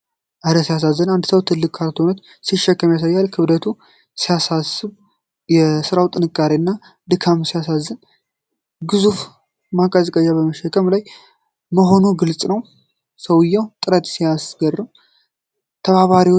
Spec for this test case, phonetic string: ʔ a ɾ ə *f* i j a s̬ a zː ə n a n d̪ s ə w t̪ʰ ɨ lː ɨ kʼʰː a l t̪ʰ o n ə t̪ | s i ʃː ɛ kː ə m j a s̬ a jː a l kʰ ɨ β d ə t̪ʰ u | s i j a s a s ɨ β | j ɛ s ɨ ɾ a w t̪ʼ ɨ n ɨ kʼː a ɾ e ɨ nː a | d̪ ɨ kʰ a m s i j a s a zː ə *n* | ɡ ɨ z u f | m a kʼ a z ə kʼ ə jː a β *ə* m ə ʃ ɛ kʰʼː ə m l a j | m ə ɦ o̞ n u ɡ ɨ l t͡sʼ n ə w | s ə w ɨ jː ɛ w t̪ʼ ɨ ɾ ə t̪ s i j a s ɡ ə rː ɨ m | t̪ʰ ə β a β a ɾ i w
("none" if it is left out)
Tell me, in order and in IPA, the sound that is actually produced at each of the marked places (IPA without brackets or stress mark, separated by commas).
s, n, ə